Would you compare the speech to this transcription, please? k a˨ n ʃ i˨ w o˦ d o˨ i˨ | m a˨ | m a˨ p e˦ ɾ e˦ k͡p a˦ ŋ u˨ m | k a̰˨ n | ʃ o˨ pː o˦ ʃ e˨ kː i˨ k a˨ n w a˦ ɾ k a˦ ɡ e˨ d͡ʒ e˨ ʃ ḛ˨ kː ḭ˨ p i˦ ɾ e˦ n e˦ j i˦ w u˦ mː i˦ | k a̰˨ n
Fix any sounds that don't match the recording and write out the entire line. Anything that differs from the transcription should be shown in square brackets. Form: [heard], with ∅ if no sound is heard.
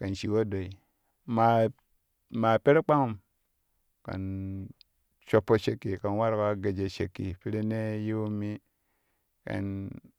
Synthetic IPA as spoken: k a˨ n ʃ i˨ w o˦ d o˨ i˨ | m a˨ | m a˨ p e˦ ɾ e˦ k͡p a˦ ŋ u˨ m | k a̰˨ n | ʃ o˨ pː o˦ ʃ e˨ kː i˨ k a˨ n w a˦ ɾ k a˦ ɡ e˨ d͡ʒ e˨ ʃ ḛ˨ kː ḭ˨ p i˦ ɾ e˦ n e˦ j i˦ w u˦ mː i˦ | k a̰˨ n